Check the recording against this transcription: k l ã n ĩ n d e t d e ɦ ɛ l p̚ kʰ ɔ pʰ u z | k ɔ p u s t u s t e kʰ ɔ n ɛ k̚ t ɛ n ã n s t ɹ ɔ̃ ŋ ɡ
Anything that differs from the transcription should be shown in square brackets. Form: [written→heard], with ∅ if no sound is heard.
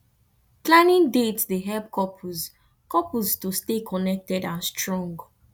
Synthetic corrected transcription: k l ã n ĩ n d e t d e ɦ ɛ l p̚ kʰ ɔ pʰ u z | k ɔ p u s t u s t e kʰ ɔ n ɛ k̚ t ɛ [n→d] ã n s t ɹ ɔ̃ ŋ ɡ